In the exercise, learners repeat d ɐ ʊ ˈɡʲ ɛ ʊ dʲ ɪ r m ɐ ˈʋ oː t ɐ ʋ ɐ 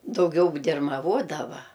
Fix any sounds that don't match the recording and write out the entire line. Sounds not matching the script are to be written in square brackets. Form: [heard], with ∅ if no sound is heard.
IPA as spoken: d ɐ ʊ ˈɡʲ ɛ ʊ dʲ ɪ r m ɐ ˈʋ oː [d] ɐ ʋ ɐ